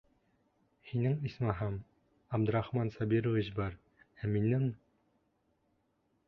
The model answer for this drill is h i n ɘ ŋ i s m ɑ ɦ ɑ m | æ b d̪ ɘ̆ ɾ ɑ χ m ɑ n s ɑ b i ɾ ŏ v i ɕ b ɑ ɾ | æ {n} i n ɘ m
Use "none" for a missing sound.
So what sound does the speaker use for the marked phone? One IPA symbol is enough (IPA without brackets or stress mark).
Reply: m